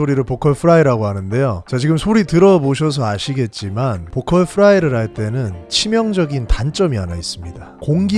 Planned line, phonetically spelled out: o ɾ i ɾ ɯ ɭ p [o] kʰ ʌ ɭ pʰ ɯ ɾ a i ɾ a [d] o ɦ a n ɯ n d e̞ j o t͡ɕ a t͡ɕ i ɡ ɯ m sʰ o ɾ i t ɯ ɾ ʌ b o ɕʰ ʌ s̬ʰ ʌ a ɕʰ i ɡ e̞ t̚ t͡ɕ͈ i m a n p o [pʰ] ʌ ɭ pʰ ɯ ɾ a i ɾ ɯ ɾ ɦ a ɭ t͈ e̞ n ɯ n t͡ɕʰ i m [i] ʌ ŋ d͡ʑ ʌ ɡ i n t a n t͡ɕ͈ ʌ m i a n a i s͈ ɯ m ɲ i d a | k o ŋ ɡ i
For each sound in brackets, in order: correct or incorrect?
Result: correct, incorrect: ɡ, incorrect: kʰ, incorrect: j

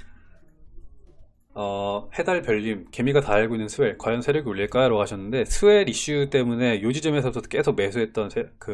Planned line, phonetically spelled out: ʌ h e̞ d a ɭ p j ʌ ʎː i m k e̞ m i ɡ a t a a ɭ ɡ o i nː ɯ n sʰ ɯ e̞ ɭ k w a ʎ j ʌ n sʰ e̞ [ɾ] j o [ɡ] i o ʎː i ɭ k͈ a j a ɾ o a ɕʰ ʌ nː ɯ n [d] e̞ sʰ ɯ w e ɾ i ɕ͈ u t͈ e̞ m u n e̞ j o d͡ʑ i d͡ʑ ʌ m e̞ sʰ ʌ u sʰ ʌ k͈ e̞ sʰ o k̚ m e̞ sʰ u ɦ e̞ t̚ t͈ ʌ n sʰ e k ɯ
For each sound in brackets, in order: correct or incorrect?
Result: correct, correct, correct

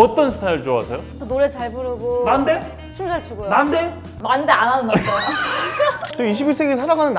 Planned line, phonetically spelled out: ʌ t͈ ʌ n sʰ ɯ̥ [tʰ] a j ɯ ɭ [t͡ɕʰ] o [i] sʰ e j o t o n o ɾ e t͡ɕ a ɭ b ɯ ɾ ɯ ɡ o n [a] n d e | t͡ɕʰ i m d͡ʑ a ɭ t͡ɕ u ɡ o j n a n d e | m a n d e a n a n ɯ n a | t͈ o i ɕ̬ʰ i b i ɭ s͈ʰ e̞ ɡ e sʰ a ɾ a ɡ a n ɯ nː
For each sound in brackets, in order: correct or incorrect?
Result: correct, incorrect: t͡ɕ, incorrect: a, correct

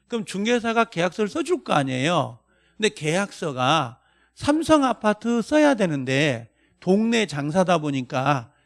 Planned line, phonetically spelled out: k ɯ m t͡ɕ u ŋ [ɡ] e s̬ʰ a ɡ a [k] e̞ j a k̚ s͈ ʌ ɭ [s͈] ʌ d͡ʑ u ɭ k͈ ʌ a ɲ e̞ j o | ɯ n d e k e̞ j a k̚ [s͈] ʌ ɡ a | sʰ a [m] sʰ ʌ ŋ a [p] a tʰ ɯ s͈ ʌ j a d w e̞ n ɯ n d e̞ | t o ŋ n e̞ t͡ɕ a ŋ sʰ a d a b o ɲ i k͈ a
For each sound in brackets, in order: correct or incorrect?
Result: correct, correct, correct, correct, correct, incorrect: pʰ

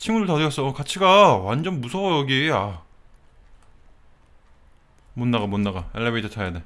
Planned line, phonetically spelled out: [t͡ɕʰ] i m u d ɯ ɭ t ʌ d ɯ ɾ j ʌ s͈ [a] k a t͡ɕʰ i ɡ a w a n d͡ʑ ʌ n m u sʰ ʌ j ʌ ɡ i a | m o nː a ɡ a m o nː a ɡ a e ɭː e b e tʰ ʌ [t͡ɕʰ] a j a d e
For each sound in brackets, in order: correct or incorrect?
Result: correct, incorrect: ʌ, correct

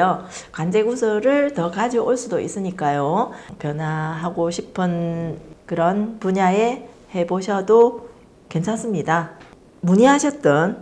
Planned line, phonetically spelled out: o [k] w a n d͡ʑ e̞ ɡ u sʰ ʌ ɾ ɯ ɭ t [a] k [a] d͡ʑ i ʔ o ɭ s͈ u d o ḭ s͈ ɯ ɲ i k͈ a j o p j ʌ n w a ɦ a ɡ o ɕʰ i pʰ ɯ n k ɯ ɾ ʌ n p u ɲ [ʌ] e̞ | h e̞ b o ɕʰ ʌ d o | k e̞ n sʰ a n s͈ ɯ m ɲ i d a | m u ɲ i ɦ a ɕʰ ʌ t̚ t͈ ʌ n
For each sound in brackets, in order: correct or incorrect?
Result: correct, incorrect: ʌ, correct, incorrect: a

